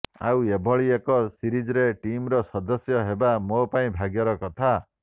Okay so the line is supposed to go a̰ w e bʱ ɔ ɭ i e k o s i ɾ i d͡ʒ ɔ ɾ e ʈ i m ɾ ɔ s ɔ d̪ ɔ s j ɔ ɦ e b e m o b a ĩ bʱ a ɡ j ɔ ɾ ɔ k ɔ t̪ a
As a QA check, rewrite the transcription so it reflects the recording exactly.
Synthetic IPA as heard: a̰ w e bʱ ɔ ɭ i e k ɔ s i ɾ i d͡ʒ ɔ ɾ e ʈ i m ɾ ɔ s ɔ d̪ ɔ s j ɔ ɦ e b a m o p a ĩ bʱ a ɡ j ɔ ɾ ɔ k ɔ t̪ʰ a